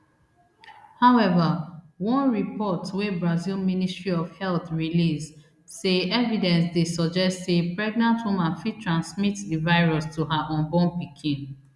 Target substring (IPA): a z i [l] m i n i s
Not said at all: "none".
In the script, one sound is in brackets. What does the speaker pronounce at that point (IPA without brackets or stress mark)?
l